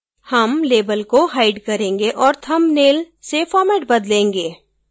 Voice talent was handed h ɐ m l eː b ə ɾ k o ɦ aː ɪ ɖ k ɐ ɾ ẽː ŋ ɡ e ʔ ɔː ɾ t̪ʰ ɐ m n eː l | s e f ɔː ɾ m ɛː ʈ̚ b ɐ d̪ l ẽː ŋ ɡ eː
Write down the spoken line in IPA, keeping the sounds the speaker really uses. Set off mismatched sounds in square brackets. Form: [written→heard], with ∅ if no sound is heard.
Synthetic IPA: h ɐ m l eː b ə [ɾ→l] k o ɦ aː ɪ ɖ k ɐ ɾ ẽː ŋ ɡ e ʔ ɔː ɾ t̪ʰ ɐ m n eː l | s e f ɔː ɾ m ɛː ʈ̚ b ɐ d̪ l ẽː ŋ ɡ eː